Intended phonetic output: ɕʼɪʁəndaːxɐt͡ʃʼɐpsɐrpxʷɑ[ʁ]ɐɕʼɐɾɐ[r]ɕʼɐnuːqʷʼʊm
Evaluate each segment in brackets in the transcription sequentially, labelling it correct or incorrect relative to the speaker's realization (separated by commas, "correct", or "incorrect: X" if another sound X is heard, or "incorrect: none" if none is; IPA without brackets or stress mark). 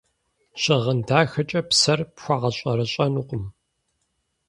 correct, incorrect: none